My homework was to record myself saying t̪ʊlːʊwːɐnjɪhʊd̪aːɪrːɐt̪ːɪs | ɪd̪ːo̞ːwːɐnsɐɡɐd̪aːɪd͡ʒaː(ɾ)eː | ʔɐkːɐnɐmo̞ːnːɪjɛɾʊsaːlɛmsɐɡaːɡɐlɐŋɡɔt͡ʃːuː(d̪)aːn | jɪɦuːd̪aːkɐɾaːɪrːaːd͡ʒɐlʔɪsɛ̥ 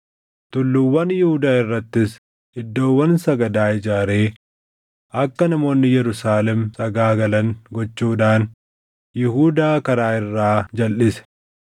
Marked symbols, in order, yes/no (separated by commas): yes, yes